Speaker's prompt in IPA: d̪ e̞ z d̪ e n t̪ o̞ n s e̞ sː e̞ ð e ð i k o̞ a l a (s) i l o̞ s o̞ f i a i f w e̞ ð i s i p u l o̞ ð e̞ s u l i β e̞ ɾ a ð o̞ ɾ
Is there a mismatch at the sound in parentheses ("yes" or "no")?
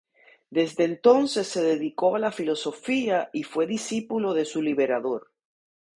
yes